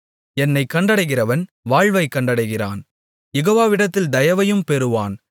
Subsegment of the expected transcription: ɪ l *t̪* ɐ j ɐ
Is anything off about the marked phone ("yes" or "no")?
yes